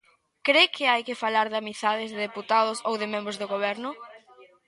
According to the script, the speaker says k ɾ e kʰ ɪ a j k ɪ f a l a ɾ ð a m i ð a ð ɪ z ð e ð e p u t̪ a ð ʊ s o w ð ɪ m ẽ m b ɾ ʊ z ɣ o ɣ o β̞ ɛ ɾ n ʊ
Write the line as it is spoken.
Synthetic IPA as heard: k ɾ e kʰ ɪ a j k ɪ f a l a ɾ ð a m i θ a ð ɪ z ð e ð e p u t̪ a ð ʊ s o w ð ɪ m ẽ m b ɾ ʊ z ð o ɣ o β̞ ɛ ɾ n ʊ